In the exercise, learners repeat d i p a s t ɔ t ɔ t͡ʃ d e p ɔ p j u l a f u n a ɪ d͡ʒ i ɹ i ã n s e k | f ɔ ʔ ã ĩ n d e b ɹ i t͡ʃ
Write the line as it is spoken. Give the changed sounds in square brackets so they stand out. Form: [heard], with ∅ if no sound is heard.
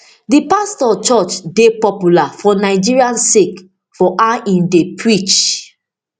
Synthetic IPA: d i p a s t ɔ [t͡ʃ] ɔ t͡ʃ d e p ɔ p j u l a f [ɔ] n a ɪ d͡ʒ i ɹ i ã n s e k | f ɔ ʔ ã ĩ n d e [p] ɹ i t͡ʃ

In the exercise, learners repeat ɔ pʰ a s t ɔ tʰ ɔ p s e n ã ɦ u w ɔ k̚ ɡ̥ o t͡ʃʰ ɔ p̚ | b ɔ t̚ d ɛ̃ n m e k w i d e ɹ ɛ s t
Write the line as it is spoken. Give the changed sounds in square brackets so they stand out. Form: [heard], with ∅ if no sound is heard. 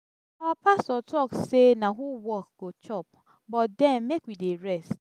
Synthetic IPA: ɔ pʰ a s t ɔ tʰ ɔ [k] s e n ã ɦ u w ɔ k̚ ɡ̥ o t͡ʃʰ ɔ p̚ | b ɔ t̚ d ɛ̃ n m e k w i d e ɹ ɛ s t

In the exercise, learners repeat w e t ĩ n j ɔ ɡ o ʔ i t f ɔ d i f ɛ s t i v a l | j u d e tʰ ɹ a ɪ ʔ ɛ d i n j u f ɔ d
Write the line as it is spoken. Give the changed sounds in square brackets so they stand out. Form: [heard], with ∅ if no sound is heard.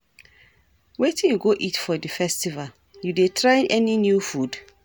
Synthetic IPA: w e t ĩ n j [u] ɡ o ʔ i t f ɔ d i f ɛ s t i v a l | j u d e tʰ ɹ a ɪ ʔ ɛ [n] i n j u f [u] d

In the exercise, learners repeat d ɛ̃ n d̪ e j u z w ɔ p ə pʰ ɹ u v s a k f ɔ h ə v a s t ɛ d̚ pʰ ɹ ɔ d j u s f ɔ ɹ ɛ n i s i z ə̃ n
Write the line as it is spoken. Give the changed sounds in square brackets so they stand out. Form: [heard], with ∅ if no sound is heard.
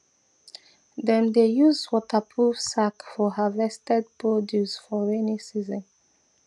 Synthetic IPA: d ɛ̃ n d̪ e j u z w ɔ [t] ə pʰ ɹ u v s a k f ɔ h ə v [ɛ] s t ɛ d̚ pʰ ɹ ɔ d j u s f ɔ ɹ ɛ n i s i z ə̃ n

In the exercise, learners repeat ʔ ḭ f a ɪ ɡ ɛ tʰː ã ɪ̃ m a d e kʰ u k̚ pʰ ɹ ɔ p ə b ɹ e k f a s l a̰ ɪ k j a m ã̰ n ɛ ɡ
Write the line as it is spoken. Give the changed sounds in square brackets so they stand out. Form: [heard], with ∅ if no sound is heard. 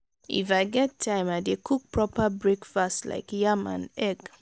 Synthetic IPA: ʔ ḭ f a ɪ ɡ ɛ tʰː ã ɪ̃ m a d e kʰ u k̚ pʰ ɹ ɔ p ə b ɹ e k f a s l a̰ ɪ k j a m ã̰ n ɛ ɡ

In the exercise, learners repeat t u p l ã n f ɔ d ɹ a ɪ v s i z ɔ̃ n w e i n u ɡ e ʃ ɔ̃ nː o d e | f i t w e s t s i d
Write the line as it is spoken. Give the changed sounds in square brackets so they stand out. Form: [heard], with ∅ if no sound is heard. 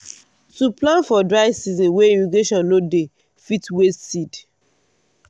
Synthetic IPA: t u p l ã n f ɔ d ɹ a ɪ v s i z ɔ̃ n w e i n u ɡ e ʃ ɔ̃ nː o d e | f i t w e s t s i d

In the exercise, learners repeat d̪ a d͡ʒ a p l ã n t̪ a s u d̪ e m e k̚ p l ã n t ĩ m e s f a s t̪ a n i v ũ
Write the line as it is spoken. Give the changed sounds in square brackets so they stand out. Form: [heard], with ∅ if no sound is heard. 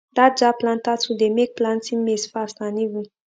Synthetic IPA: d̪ a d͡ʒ a p l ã n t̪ a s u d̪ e m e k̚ p l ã n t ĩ m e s f a s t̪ a n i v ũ

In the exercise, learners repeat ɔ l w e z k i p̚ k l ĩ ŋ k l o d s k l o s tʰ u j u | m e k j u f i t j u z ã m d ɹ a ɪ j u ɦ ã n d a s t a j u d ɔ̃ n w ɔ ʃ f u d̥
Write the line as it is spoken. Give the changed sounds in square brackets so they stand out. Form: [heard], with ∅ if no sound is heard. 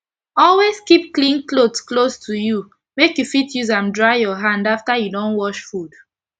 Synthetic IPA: ɔ l w e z k i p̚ k l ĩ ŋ k l o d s k l o s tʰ u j u | m e k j u f i t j u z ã m d ɹ a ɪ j [ɔ] ɦ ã n d a [f] t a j u d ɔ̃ n w ɔ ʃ f u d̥

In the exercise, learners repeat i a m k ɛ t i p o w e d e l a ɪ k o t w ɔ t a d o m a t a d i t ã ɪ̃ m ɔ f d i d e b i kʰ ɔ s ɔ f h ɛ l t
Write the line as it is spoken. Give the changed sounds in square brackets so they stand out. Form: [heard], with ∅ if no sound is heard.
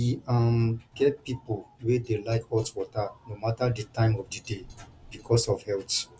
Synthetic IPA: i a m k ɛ [p] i p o w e d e l a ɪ k [ɔ] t w ɔ t a [n] o m a t a d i t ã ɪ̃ m ɔ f d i d e b i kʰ ɔ s ɔ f h ɛ l t

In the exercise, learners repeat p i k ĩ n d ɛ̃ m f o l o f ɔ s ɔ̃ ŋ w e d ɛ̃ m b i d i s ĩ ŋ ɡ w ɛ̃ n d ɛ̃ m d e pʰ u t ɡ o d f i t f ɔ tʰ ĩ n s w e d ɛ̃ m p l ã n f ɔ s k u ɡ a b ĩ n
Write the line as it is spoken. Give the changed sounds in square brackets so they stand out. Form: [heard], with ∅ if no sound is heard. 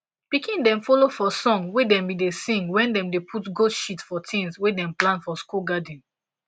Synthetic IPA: p i k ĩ n d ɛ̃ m f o l o f ɔ s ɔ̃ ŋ w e d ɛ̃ m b i d [e] s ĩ ŋ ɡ w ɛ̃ n d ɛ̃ m d e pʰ u t ɡ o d [ʃ] i t f ɔ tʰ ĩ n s w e d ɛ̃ m p l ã n f ɔ s k u ɡ a [d] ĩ n

